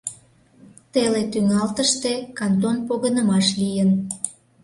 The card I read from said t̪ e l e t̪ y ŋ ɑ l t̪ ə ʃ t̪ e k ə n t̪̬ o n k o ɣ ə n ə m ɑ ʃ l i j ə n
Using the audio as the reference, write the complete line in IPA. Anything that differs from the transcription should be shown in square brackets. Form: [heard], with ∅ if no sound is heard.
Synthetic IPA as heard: t̪ e l e t̪ y ŋ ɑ l t̪ ə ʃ t̪ e k [ɑ] n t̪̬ o n [p] o ɣ ə n ə m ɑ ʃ l i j ə n